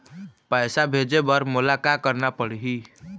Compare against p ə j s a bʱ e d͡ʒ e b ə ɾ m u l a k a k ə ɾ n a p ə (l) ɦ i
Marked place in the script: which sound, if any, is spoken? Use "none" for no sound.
ɽ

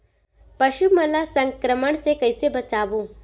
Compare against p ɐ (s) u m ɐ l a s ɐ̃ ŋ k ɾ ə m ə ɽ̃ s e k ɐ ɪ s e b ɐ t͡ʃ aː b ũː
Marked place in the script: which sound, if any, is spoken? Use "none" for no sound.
ʃ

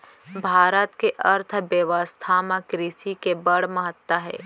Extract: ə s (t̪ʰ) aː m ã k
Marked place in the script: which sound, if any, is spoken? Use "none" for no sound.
t̪ʰ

